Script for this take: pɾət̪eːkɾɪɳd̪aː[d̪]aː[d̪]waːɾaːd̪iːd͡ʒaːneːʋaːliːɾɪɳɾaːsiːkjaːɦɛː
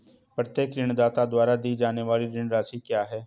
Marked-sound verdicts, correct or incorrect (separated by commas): incorrect, correct